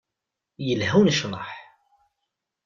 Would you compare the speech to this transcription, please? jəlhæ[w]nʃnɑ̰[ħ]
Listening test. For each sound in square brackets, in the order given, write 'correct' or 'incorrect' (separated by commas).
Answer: correct, correct